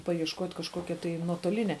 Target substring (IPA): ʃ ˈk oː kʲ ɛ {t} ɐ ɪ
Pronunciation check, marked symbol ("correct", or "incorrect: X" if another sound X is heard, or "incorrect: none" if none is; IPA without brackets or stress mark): correct